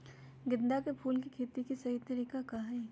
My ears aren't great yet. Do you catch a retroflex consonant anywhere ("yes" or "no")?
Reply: no